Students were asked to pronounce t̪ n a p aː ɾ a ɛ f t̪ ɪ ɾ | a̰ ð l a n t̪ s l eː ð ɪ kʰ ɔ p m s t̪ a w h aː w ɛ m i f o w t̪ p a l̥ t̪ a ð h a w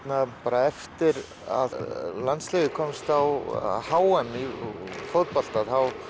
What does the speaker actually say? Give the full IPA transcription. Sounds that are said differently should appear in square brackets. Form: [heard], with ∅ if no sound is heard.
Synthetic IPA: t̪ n a p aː ɾ a ɛ f t̪ ɪ ɾ | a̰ ð l a n t̪ s l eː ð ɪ kʰ ɔ [∅] m s t̪ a w h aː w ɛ m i f o w t̪ p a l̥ t̪ a ð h a w